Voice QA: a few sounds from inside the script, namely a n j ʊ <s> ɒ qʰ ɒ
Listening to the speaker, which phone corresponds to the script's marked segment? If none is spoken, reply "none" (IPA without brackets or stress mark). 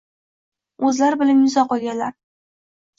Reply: z